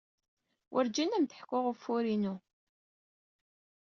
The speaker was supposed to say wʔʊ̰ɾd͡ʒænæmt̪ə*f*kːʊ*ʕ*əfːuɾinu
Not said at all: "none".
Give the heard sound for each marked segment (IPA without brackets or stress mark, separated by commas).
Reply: ħ, ʁ